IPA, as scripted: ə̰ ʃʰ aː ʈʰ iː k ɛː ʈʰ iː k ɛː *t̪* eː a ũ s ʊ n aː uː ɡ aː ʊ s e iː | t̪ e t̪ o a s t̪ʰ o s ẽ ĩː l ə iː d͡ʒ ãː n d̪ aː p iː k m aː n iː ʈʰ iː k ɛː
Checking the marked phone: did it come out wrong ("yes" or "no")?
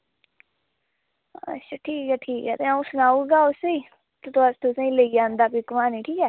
no